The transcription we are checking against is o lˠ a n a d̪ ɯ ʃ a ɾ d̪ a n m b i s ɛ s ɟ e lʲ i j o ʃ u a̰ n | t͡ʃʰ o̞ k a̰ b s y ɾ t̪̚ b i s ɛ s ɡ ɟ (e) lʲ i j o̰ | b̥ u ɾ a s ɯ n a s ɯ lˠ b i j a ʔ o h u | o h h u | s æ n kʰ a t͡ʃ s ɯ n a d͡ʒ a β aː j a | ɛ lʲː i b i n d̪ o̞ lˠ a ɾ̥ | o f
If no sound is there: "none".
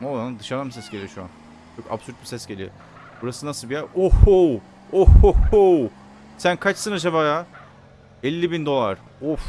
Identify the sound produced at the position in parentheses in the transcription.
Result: e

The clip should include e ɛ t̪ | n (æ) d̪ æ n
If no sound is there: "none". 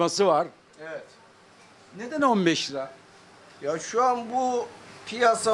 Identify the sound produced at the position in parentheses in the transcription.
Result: e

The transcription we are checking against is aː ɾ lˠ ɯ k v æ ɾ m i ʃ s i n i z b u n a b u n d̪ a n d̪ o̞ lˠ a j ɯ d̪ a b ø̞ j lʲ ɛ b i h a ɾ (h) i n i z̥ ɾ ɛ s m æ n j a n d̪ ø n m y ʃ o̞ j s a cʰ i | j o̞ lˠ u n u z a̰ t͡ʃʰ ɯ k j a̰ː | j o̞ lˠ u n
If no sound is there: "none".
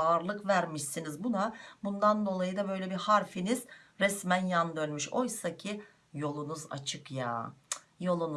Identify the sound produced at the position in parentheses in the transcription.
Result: f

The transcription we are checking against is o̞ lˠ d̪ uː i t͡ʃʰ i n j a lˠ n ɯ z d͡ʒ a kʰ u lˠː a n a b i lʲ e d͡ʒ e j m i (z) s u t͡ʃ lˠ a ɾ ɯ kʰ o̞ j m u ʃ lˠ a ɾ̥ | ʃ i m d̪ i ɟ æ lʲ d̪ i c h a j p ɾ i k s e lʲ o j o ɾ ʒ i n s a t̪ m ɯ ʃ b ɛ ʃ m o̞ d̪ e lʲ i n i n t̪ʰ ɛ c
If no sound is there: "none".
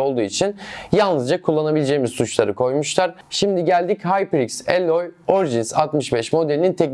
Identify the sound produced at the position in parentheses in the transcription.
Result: z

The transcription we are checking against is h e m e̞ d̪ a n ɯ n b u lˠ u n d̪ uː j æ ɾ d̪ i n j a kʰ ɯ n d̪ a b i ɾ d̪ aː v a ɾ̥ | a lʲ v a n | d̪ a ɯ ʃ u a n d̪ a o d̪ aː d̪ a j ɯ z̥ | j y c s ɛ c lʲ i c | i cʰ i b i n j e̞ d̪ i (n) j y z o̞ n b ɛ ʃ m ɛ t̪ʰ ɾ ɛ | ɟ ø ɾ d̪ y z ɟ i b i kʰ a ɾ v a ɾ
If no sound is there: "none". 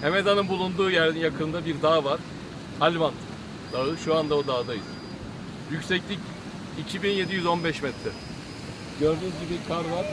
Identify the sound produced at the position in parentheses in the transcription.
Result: none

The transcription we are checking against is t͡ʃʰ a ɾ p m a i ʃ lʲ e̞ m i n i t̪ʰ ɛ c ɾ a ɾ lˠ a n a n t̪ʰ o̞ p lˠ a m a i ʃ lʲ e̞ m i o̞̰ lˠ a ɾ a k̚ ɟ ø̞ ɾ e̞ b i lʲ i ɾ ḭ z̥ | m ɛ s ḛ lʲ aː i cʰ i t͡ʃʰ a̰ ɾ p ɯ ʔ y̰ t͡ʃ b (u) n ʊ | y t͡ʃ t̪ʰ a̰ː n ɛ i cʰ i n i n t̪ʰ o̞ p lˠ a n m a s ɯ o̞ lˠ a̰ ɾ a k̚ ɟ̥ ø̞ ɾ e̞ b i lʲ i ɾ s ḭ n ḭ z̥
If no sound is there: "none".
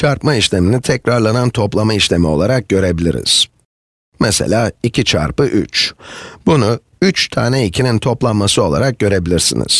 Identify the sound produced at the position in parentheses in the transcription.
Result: u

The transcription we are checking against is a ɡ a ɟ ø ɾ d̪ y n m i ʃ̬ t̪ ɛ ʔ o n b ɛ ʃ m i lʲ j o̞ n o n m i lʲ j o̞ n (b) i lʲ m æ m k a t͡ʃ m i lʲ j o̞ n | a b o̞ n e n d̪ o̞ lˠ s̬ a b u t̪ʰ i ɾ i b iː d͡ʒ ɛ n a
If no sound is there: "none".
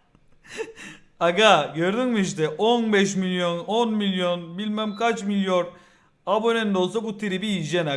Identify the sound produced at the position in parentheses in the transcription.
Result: b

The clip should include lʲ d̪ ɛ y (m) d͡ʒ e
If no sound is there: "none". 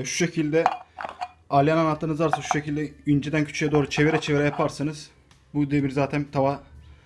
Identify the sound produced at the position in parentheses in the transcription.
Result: n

